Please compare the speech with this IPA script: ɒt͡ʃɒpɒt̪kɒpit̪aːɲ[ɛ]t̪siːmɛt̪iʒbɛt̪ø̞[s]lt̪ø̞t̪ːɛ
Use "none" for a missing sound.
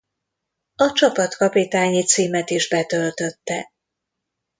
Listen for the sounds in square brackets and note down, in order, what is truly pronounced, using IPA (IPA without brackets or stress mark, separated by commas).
i, none